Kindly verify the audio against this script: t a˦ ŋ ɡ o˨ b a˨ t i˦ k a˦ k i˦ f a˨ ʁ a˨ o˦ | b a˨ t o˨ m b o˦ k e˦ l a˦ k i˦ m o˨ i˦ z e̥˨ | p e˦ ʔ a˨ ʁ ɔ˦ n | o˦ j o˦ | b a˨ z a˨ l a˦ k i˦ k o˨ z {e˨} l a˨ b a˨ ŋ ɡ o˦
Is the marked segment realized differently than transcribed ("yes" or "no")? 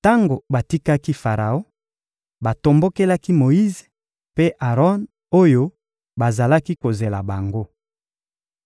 no